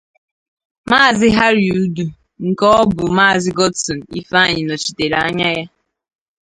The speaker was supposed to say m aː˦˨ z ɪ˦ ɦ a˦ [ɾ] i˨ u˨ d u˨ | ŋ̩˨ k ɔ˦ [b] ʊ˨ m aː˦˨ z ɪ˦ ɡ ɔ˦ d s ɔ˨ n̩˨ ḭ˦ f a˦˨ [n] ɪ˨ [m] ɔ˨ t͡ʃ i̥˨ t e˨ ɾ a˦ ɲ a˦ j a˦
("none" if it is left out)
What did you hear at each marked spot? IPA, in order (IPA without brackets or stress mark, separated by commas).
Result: ɾ, b, ɲ, n